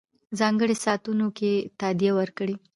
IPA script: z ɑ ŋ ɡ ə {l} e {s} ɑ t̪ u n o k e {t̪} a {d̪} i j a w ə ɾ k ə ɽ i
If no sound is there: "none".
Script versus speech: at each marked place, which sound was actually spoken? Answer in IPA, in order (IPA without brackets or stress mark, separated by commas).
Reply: ɽ, s, t̪, d̪